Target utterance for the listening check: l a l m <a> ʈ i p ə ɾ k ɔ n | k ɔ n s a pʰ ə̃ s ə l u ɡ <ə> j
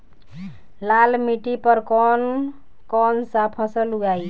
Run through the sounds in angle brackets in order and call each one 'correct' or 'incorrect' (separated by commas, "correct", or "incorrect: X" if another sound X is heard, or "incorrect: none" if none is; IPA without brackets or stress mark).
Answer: incorrect: i, incorrect: a